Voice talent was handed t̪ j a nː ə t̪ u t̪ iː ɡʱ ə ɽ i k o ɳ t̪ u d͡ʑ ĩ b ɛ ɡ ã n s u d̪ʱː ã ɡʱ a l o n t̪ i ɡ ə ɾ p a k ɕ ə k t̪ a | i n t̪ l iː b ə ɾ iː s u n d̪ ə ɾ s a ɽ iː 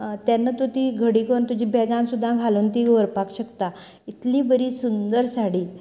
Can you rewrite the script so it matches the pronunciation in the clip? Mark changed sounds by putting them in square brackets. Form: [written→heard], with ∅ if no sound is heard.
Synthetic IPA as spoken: t̪ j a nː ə t̪ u t̪ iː ɡʱ ə ɽ i k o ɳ t̪ u d͡ʑ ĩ b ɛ ɡ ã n s u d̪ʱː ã ɡʱ a l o n t̪ i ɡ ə ɾ p a k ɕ ə k t̪ a | i [n→∅] t̪ l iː b ə ɾ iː s u n d̪ ə ɾ s a ɽ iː